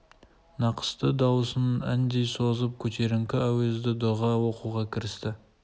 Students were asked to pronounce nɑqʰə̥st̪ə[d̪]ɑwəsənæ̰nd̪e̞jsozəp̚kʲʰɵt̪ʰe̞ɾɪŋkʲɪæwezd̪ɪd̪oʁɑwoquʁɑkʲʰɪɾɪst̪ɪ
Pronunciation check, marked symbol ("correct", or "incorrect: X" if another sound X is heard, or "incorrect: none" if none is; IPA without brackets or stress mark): correct